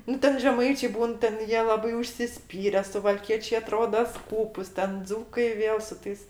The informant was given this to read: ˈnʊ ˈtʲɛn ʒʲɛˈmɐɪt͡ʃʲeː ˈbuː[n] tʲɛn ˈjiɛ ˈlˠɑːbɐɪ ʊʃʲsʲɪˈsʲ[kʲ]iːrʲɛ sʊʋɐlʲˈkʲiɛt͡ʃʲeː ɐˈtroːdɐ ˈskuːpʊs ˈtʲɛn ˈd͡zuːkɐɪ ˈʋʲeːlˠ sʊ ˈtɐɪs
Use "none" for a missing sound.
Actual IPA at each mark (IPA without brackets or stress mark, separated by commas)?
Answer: n, pʲ